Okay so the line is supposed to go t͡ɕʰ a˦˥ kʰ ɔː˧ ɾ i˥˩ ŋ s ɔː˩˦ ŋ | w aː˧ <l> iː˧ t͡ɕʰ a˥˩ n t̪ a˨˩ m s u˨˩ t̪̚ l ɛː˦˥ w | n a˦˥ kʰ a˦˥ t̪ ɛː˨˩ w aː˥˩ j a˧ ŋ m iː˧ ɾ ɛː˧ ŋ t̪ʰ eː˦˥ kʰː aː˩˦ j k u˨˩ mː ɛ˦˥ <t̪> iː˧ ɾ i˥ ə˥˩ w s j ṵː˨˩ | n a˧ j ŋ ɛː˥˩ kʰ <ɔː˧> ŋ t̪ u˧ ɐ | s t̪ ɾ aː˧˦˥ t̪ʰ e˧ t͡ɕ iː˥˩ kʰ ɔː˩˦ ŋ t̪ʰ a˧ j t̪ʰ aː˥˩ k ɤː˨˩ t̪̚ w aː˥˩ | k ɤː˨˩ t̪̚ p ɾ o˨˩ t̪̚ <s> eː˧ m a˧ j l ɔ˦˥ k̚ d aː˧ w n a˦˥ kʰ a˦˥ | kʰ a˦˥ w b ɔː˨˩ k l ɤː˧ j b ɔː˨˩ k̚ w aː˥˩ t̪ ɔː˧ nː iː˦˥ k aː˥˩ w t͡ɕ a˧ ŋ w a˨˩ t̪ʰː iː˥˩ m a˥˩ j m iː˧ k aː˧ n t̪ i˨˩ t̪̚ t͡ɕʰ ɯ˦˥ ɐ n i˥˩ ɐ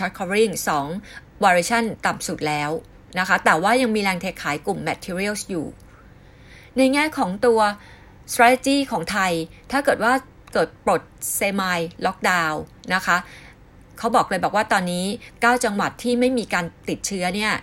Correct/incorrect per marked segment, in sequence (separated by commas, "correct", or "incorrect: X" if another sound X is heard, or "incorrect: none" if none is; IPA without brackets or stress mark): incorrect: ɾ, incorrect: t̪ʰ, incorrect: ɔː˩˦, correct